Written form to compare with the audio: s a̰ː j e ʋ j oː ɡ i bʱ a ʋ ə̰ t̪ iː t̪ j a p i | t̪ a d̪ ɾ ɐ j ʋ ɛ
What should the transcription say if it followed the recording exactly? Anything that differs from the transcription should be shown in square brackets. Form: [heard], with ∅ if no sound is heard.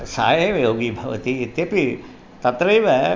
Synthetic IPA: s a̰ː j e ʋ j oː ɡ i bʱ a ʋ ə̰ t̪ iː t̪ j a p i | t̪ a [t̪] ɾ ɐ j ʋ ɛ